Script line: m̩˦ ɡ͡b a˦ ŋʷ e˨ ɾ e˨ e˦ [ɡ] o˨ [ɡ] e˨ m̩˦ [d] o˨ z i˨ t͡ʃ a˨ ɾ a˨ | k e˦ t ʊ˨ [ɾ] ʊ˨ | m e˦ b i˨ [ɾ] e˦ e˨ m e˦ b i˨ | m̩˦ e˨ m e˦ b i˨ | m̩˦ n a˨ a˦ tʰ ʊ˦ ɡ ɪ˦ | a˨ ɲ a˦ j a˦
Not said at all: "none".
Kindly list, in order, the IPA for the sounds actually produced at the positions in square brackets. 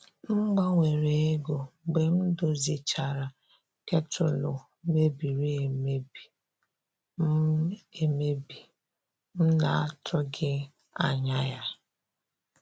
ɡ, ɡ͡b, d, l, ɾ

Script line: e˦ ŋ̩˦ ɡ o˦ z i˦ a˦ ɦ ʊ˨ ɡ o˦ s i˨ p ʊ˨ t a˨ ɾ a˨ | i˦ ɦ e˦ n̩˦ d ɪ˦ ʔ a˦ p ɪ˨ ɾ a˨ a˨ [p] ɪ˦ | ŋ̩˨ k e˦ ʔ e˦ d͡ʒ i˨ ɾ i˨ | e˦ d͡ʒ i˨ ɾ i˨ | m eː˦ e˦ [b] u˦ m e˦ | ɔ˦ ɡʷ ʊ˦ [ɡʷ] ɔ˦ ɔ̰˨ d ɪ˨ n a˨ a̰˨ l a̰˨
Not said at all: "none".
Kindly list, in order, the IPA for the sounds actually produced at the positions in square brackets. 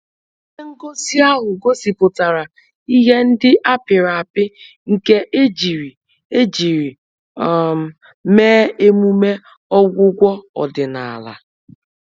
p, m, ɡʷ

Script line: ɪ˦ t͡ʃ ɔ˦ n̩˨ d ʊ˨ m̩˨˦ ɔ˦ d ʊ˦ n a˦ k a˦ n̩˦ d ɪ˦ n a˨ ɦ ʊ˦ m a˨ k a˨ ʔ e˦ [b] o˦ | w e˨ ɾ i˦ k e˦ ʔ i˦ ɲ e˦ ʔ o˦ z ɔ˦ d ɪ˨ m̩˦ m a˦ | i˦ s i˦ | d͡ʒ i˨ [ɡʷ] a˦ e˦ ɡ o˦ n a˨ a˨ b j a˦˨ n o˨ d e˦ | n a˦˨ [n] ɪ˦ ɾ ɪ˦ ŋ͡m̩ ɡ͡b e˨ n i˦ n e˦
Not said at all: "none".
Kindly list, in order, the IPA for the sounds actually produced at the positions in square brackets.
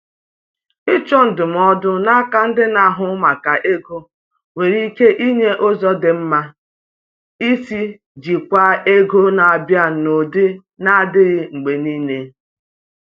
ɡ, kʷ, d

